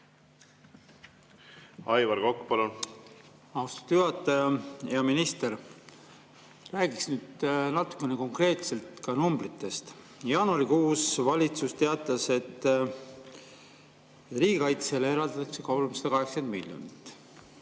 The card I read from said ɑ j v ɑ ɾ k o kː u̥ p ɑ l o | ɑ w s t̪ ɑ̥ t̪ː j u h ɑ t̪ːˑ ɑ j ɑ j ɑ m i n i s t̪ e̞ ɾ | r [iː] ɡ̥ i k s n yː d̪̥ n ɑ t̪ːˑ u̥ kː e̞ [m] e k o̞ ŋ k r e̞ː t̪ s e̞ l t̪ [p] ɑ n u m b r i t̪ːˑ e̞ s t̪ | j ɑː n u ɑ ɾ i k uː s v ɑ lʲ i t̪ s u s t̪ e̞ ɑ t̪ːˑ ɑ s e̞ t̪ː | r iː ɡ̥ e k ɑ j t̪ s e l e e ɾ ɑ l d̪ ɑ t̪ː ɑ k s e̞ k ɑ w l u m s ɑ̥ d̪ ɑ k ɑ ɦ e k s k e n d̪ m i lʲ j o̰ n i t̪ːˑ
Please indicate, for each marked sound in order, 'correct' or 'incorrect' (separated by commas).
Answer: incorrect, incorrect, incorrect